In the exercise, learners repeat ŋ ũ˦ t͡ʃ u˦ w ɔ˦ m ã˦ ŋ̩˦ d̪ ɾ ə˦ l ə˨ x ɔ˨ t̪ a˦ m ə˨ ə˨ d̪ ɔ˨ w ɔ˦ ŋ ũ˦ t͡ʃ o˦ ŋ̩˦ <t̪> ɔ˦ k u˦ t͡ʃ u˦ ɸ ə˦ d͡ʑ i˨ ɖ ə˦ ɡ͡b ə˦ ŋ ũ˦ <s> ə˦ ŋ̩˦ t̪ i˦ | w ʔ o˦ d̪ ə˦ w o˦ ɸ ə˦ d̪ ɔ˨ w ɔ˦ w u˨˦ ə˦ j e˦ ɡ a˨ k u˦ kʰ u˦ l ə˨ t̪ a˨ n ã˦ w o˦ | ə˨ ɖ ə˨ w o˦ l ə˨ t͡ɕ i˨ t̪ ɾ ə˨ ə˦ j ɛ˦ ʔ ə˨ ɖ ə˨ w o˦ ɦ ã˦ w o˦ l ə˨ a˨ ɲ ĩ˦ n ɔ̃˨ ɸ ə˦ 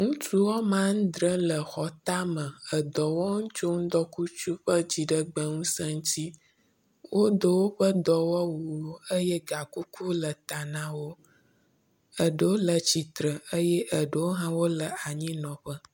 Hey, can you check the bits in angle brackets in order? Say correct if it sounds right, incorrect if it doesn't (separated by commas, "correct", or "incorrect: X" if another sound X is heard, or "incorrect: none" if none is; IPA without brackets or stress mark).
incorrect: d̪, correct